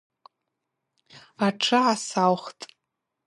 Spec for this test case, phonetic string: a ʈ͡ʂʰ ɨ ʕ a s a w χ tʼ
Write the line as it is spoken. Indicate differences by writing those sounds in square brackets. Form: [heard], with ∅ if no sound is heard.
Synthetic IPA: a ʈ͡ʂʰ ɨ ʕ a s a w χ tʼ